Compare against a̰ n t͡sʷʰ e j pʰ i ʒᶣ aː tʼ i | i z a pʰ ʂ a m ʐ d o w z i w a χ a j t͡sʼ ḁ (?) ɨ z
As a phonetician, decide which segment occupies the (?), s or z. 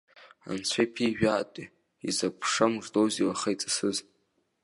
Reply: s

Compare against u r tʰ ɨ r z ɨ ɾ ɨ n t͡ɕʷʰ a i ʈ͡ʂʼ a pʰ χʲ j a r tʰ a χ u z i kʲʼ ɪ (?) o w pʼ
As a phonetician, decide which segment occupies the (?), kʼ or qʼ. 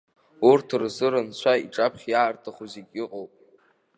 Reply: qʼ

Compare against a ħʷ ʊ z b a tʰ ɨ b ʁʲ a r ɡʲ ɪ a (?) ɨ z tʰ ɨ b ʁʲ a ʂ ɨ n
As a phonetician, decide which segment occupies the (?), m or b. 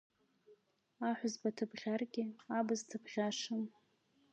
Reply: b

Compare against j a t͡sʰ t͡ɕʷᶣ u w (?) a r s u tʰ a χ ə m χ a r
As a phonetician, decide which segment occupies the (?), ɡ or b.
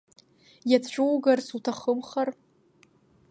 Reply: ɡ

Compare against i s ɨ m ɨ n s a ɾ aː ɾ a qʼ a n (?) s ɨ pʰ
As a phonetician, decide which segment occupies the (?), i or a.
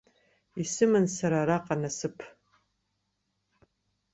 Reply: a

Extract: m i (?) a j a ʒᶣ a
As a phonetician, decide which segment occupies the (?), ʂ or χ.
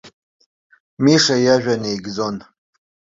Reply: ʂ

